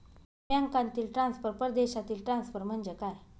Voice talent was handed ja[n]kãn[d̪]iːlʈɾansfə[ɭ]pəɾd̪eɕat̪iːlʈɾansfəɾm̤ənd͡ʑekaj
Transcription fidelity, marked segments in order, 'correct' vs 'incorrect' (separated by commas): incorrect, incorrect, incorrect